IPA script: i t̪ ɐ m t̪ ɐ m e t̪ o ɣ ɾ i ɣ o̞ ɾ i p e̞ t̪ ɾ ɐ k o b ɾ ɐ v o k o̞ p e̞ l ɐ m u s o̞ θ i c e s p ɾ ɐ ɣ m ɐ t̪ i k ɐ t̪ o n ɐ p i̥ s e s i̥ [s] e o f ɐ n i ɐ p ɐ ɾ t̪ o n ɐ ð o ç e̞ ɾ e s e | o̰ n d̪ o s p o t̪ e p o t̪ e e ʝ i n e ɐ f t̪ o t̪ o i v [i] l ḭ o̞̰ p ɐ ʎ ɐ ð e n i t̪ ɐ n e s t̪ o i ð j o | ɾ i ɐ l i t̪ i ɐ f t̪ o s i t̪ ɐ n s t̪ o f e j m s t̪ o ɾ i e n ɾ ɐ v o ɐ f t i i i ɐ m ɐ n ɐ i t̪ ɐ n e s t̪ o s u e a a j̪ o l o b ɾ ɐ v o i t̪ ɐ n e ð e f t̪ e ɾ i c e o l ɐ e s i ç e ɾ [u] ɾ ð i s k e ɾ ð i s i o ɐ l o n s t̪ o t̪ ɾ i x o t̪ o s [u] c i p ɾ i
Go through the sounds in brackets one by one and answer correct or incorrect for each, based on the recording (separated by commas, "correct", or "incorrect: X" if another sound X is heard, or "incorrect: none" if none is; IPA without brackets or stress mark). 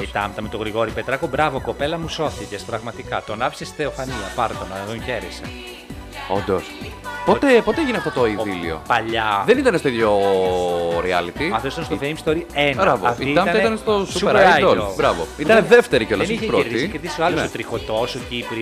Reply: incorrect: θ, correct, incorrect: o, incorrect: o